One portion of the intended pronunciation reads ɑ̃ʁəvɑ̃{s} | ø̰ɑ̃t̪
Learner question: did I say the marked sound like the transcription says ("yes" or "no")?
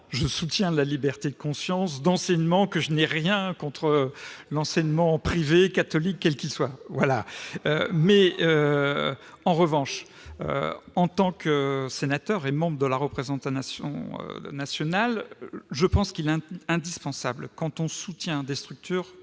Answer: no